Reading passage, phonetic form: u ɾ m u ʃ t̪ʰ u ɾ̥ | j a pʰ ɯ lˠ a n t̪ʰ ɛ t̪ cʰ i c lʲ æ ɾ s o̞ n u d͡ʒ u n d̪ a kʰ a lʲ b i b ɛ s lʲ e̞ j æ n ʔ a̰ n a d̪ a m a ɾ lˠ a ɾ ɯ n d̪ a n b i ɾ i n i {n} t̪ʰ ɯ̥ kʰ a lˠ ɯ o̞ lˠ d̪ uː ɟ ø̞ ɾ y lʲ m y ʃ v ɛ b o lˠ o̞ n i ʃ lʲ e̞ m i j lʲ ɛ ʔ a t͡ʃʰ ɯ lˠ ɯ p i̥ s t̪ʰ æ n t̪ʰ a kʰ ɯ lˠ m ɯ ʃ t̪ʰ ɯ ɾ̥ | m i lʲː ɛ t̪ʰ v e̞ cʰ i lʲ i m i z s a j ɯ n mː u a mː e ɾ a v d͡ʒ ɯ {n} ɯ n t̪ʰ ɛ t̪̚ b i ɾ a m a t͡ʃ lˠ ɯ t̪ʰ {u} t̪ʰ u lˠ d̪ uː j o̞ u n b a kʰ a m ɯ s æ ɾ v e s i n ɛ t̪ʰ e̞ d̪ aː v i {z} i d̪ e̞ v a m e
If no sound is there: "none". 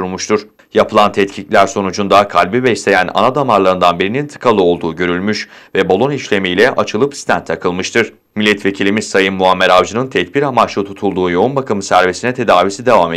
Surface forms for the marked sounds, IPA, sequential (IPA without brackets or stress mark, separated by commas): n, n, u, s